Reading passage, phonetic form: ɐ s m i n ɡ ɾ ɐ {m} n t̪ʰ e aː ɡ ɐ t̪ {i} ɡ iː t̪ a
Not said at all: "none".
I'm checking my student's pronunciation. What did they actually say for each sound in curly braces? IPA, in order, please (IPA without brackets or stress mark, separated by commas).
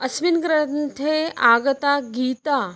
none, a